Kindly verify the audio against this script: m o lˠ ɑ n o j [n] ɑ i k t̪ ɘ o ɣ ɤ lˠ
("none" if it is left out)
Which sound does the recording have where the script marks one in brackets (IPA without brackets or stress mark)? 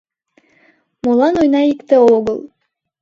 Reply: n